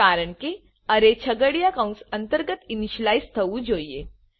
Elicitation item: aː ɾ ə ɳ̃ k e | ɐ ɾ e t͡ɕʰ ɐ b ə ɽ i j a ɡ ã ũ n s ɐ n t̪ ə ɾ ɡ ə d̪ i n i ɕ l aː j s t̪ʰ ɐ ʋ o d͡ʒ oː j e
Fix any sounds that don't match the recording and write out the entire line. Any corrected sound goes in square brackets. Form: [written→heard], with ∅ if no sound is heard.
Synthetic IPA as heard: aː ɾ ə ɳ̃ k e | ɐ ɾ e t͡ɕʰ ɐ [b→ɡ] ə ɽ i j a [ɡ→k] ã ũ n s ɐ n t̪ ə ɾ ɡ ə [d̪→t̪] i n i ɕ l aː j s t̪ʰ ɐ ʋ [o→u] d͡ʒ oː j e

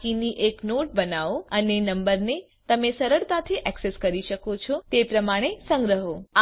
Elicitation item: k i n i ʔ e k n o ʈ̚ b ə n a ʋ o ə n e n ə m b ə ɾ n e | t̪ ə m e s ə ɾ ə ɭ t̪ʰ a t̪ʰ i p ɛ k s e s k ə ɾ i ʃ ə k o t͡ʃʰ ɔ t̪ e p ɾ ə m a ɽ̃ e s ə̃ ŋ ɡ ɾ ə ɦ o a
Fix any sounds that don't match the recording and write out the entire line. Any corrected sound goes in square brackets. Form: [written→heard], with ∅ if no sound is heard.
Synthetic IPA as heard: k i n i ʔ e k n o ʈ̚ b ə n a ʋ o ə n e n ə m b ə ɾ n e | t̪ ə m e s ə ɾ ə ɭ [t̪ʰ→t̪] a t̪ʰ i [p→ʔ] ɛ k s e s k ə ɾ i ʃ ə k o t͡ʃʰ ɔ t̪ e p ɾ ə m a ɽ̃ e s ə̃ ŋ ɡ ɾ ə ɦ o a

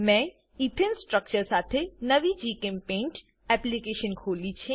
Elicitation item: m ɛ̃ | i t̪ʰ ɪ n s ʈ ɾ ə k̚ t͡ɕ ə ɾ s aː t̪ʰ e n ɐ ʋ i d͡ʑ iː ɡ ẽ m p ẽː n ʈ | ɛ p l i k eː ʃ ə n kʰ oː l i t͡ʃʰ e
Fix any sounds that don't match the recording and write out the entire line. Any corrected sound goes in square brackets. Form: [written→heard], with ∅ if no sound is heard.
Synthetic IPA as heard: m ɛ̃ | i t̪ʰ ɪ n s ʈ ɾ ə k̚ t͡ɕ ə ɾ s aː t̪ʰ e n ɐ ʋ i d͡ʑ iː [ɡ→k] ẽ m p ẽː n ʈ | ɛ p l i k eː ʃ ə n kʰ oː l i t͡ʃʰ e

